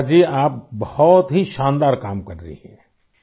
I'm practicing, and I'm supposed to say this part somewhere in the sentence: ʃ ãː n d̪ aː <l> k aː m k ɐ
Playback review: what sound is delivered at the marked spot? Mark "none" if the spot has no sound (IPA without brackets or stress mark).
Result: ɾ